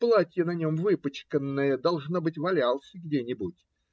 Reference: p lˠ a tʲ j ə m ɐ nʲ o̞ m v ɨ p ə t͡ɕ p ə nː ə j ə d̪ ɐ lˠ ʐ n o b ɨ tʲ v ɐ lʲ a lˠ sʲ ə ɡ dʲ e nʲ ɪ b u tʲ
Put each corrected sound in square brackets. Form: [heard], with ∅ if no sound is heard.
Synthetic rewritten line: p lˠ a tʲ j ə [n] ɐ nʲ o̞ m v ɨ p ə t͡ɕ [k] ə nː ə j ə d̪ ɐ lˠ ʐ n o b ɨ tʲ v ɐ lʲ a lˠ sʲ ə ɡ dʲ e nʲ ɪ b u tʲ